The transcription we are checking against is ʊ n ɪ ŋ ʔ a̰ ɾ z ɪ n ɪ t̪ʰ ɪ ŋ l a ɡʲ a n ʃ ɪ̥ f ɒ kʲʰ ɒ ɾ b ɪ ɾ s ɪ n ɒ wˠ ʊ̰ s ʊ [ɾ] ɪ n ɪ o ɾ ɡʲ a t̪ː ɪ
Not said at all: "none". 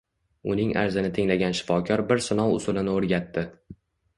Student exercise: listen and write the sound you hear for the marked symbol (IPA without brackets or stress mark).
l